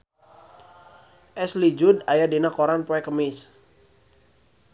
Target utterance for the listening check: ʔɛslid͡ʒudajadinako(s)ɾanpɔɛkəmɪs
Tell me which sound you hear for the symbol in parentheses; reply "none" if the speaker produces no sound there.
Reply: none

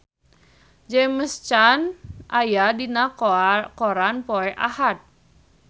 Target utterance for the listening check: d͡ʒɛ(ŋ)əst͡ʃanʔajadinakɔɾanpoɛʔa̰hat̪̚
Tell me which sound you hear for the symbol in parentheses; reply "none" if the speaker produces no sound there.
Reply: m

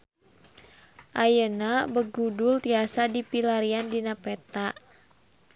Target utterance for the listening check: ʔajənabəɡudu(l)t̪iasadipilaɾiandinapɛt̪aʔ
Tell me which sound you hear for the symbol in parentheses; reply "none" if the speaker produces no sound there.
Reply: l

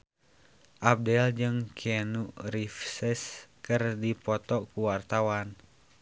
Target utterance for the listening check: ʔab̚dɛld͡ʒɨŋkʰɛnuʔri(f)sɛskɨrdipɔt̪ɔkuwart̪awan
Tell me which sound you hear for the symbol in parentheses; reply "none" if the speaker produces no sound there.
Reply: f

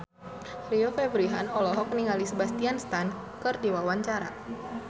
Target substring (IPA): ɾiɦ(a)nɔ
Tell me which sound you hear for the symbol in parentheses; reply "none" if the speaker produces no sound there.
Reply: a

